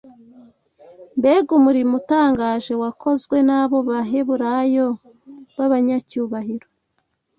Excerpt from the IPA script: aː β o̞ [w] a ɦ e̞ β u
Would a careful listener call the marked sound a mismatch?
yes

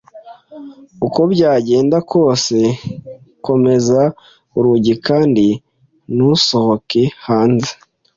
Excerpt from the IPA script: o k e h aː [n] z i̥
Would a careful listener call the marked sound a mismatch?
no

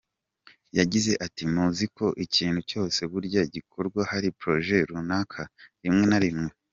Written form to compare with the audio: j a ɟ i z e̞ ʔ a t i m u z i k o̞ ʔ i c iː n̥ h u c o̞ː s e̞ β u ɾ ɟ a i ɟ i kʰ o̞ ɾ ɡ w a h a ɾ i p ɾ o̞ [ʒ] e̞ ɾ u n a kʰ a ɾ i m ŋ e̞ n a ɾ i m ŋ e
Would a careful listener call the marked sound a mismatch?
no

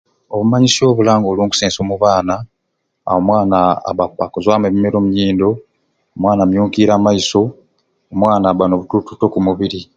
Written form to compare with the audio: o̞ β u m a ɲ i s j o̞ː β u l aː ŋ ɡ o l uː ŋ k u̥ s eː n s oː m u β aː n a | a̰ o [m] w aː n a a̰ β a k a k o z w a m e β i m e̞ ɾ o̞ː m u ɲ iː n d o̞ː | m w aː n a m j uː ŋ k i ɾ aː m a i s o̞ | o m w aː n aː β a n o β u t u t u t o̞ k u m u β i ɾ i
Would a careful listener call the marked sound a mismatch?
no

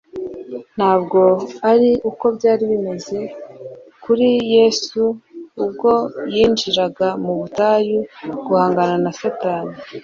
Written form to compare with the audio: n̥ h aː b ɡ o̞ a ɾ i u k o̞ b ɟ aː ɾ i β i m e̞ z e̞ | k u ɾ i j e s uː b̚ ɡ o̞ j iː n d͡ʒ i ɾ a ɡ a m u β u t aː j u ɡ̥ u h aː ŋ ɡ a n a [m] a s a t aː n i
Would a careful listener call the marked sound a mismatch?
yes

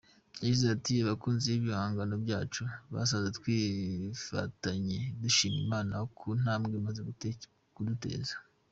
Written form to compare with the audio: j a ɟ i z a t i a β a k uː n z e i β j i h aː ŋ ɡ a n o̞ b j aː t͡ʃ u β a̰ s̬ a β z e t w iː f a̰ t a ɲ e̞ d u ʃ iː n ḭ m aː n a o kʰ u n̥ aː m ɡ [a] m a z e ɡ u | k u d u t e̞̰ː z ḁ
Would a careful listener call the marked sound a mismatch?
yes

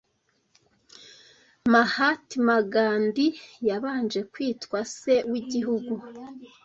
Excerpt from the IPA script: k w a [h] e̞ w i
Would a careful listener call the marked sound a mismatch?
yes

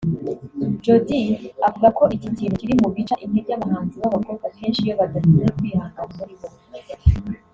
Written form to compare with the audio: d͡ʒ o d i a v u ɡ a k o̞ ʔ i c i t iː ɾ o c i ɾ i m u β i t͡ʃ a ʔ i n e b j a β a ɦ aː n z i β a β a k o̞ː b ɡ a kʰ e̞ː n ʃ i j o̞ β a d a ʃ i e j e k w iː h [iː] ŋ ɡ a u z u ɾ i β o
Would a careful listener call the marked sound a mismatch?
yes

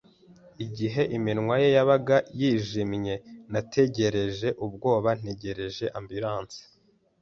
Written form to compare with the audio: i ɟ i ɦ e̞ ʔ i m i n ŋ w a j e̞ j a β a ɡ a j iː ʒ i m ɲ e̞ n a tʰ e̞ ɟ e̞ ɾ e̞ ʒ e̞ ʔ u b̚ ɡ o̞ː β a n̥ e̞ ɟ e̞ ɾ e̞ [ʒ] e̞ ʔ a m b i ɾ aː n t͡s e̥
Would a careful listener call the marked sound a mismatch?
no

